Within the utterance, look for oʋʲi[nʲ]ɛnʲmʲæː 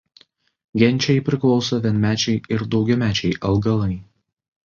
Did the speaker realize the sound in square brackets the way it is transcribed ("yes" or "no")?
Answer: no